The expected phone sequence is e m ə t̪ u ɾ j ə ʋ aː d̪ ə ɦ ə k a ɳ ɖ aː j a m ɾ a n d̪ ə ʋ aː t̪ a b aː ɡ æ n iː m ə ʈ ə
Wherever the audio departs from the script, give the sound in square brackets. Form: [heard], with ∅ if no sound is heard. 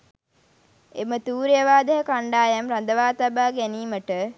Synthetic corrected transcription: e m ə t̪ [uː] ɾ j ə ʋ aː d̪ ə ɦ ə k a ɳ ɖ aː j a m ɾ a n d̪ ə ʋ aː t̪ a b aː ɡ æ n iː m ə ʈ ə